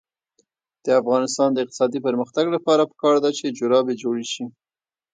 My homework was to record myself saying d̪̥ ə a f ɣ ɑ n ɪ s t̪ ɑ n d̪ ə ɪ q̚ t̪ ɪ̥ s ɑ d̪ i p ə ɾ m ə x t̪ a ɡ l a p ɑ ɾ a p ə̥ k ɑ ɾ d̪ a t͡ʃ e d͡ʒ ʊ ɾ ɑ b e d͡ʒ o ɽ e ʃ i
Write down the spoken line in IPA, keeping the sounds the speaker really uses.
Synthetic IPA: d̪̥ ə a f ɣ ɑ n ɪ s t̪ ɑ n d̪ ə ɪ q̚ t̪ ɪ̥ s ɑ d̪ i p ə ɾ m ə x t̪ a ɡ l a p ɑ ɾ a p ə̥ k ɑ ɾ d̪ a t͡ʃ e d͡ʒ ʊ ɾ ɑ b e d͡ʒ o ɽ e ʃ i